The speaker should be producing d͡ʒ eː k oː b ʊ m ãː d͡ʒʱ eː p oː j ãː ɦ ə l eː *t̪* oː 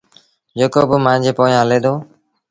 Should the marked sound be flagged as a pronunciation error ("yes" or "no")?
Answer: yes